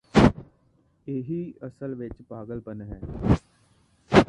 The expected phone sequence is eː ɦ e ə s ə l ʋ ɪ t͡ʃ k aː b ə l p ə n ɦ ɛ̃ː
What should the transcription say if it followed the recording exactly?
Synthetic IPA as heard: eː ɦ i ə s ə l ʋ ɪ t͡ʃ p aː ɡ ə l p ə n ɦ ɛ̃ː